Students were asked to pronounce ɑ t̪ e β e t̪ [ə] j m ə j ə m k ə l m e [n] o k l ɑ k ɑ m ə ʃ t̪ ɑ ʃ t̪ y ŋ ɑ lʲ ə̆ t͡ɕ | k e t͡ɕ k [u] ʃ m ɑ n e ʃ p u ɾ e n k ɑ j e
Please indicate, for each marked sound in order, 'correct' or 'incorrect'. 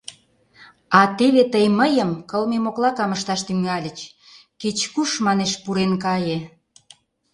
correct, incorrect: m, correct

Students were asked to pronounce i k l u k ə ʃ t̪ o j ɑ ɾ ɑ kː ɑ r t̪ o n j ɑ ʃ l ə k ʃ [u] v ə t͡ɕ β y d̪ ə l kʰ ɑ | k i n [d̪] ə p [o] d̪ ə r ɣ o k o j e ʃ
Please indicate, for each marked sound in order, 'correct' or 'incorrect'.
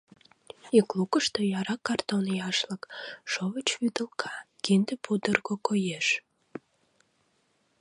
incorrect: o, correct, incorrect: u

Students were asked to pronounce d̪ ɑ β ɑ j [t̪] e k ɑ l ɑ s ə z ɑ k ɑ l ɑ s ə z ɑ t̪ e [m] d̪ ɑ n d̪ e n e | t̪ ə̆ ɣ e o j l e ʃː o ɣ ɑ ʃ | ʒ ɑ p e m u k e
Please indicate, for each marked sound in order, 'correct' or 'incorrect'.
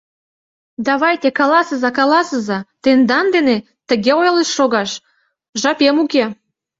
correct, incorrect: n

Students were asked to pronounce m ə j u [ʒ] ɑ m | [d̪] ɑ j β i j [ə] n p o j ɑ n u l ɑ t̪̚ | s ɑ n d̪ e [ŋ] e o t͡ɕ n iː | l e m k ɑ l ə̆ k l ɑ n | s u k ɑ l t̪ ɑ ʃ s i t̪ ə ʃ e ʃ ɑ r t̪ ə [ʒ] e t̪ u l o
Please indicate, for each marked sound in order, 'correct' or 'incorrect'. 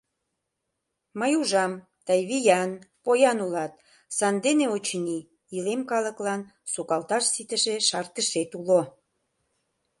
correct, incorrect: t̪, incorrect: ɑ, incorrect: n, incorrect: ʃ

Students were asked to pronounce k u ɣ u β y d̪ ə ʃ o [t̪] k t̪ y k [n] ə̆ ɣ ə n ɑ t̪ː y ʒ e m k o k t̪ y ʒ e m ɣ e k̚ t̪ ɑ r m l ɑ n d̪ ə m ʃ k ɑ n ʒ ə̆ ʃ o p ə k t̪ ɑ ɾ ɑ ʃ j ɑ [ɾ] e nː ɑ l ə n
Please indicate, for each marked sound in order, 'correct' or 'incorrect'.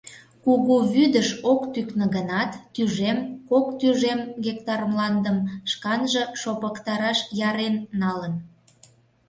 incorrect: none, correct, correct

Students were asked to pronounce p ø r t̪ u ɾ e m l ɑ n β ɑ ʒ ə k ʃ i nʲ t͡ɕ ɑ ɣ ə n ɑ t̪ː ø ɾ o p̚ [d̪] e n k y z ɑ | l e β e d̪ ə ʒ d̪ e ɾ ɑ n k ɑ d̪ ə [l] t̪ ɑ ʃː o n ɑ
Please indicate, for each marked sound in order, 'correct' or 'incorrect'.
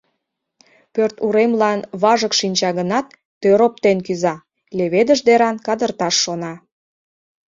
incorrect: t̪, incorrect: r

